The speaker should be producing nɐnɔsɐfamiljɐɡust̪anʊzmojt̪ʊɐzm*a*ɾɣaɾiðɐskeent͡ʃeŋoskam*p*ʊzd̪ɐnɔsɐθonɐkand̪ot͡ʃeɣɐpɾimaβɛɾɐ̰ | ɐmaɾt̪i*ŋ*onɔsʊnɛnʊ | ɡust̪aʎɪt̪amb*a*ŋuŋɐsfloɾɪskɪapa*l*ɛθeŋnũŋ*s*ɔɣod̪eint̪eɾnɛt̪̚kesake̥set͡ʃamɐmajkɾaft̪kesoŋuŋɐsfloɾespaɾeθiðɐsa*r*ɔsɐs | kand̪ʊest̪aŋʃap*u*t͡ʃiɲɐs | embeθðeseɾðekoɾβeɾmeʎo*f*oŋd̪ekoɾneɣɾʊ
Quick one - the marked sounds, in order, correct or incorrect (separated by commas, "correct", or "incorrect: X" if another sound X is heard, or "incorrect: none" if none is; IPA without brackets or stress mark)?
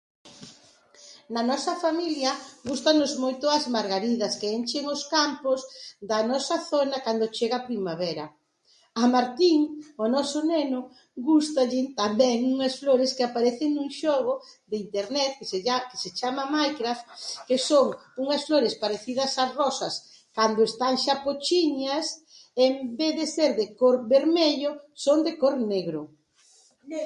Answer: correct, correct, correct, incorrect: ɛ, incorrect: ɾ, incorrect: ʃ, correct, incorrect: o, incorrect: s